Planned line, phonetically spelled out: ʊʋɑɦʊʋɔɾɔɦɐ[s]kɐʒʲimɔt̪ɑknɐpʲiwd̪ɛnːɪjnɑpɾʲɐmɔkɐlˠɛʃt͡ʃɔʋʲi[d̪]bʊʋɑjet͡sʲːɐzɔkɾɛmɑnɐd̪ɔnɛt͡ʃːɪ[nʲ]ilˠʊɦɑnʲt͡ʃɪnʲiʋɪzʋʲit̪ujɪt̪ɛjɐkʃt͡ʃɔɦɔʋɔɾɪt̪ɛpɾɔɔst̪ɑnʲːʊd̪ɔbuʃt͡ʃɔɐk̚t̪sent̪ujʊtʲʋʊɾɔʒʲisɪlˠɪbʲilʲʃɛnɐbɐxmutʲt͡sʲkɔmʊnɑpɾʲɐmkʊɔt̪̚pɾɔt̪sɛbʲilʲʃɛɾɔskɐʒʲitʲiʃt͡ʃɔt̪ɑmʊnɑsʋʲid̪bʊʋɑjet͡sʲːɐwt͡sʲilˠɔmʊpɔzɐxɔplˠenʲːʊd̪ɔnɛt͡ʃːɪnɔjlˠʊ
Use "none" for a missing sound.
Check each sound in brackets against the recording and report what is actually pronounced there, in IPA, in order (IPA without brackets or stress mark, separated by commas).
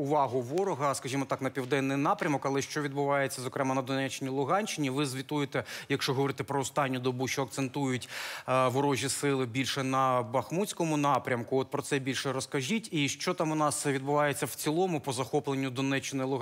s, d̪, nʲ